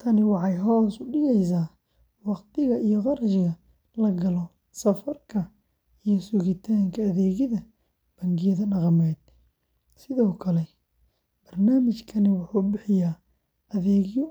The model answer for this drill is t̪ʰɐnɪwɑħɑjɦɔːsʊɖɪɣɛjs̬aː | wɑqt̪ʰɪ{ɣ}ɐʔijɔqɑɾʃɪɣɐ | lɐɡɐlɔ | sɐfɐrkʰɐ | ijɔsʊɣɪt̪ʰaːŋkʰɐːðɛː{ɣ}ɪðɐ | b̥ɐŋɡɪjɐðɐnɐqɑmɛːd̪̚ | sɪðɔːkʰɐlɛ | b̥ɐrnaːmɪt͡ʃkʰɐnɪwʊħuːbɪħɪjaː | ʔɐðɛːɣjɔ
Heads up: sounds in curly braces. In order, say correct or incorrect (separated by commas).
correct, correct